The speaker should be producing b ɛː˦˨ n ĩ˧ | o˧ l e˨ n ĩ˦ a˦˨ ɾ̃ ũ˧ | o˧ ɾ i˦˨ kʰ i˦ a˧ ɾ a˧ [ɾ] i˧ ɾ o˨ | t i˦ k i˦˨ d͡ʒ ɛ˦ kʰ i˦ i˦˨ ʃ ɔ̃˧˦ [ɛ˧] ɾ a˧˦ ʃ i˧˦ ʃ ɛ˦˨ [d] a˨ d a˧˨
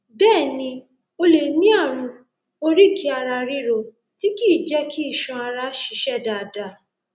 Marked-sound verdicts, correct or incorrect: correct, incorrect: a˧, correct

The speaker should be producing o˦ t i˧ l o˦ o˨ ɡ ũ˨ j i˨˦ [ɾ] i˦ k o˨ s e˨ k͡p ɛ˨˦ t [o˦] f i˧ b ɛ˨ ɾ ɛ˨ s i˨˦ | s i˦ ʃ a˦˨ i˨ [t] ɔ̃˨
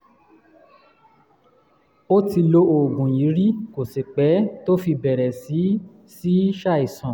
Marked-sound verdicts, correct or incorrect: correct, correct, incorrect: s

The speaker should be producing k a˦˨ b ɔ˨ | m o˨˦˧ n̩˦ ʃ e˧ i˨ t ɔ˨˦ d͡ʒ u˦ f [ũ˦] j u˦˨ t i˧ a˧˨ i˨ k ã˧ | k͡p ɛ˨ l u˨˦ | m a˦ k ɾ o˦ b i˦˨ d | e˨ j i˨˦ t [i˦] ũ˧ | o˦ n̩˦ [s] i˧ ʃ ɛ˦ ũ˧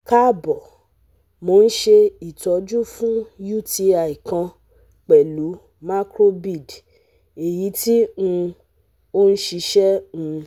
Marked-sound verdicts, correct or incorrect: correct, correct, incorrect: ʃ

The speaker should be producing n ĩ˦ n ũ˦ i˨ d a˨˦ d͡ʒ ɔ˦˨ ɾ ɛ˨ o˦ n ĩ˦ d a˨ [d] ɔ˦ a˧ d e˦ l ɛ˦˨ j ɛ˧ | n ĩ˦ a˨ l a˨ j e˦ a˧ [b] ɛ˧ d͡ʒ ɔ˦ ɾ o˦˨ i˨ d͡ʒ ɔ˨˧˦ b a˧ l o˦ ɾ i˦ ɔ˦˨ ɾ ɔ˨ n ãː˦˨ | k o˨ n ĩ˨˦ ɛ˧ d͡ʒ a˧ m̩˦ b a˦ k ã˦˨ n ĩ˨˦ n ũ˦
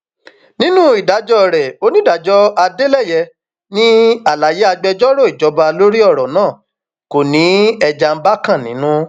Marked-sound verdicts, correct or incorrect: incorrect: d͡ʒ, incorrect: ɡ͡b

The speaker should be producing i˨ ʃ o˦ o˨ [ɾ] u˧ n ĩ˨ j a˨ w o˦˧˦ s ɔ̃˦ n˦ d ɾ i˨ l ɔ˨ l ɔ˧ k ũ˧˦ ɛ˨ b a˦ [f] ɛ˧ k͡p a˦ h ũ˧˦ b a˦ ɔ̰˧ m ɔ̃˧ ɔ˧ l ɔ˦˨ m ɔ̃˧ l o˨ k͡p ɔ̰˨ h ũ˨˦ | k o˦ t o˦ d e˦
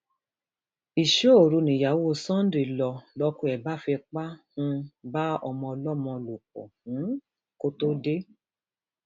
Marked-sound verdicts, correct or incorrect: correct, correct

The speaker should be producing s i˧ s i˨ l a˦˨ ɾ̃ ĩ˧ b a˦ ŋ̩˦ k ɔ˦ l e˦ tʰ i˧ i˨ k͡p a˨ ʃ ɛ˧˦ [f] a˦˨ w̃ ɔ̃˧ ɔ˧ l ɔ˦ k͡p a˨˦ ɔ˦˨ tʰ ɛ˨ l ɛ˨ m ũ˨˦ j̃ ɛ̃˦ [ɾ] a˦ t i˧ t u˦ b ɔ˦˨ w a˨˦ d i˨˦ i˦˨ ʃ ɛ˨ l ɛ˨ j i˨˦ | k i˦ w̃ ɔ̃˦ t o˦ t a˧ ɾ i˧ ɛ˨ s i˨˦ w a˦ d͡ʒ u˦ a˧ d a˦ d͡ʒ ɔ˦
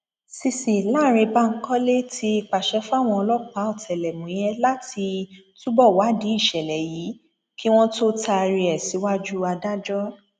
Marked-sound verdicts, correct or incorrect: correct, incorrect: l

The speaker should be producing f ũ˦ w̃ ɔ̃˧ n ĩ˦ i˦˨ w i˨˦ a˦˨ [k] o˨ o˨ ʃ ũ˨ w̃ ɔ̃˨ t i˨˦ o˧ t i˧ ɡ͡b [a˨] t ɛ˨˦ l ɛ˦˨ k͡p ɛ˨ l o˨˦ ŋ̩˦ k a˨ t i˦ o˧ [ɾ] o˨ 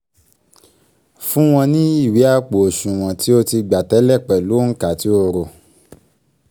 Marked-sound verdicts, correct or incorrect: incorrect: k͡p, correct, correct

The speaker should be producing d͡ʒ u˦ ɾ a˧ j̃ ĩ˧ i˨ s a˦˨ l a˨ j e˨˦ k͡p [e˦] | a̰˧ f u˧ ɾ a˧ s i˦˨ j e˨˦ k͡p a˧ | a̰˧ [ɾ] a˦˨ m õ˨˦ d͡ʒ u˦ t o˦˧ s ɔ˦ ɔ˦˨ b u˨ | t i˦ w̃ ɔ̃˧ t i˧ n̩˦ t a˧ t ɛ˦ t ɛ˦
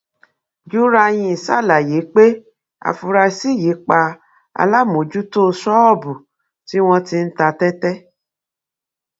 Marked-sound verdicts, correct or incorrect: correct, incorrect: l

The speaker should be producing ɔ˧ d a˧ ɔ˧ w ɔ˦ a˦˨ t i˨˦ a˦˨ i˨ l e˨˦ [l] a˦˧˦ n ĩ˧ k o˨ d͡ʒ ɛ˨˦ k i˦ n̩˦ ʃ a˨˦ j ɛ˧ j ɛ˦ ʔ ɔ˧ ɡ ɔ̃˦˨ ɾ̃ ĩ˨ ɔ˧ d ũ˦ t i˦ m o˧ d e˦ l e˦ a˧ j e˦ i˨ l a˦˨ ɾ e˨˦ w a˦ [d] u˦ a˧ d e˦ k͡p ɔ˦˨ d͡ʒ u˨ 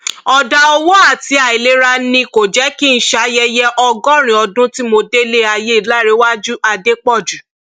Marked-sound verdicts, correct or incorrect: incorrect: ɾ, incorrect: d͡ʒ

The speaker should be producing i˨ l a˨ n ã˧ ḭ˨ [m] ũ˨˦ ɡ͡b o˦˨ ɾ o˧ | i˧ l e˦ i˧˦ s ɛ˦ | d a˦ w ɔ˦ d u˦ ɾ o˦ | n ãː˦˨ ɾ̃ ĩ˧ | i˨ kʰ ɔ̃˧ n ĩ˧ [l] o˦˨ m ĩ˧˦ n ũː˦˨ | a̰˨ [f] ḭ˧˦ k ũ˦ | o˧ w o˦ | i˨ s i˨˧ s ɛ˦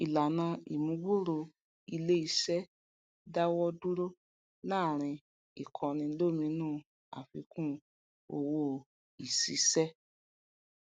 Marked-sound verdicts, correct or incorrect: correct, correct, correct

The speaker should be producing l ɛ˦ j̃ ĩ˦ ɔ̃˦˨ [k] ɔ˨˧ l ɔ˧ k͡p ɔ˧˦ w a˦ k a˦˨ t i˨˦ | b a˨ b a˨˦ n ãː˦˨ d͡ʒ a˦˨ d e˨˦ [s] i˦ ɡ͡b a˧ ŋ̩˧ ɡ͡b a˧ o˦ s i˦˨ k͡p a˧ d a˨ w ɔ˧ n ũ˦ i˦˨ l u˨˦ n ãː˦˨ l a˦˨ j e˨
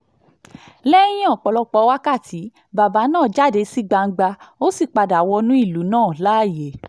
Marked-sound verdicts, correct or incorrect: incorrect: k͡p, correct

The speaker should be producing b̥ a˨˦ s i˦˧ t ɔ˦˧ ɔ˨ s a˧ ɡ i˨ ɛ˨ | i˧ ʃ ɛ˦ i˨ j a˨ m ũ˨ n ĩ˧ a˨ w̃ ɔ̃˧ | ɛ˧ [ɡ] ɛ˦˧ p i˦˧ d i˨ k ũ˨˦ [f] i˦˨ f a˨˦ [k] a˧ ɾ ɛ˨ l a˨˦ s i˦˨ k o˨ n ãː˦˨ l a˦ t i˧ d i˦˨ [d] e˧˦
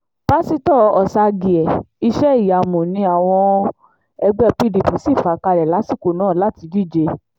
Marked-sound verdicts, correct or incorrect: incorrect: ɡ͡b, incorrect: s, correct, incorrect: d͡ʒ

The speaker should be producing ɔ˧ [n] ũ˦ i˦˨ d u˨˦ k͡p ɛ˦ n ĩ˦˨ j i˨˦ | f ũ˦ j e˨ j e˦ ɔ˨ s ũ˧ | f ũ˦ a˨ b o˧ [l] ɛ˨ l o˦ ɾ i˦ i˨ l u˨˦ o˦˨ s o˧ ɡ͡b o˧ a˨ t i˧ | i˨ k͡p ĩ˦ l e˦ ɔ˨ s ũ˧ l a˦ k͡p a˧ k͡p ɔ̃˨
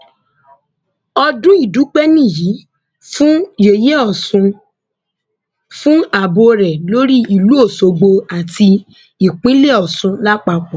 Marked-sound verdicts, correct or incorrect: incorrect: d, incorrect: ɾ

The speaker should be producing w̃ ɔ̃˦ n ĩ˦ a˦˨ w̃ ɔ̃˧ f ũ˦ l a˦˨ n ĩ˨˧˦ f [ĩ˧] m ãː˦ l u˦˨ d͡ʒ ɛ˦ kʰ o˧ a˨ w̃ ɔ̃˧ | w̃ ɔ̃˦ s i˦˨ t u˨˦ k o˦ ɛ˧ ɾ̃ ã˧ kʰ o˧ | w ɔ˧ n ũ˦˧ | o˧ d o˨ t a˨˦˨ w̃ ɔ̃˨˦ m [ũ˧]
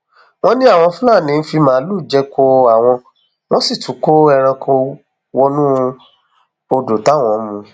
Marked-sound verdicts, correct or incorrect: incorrect: i˧, correct

